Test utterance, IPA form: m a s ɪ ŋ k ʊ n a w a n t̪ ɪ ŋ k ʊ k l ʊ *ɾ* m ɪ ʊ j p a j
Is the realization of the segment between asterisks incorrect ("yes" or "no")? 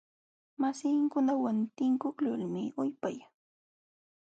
yes